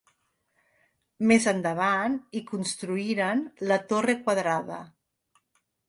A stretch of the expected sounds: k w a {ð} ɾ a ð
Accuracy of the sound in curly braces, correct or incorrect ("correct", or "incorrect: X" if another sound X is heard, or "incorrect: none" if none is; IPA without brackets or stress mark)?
correct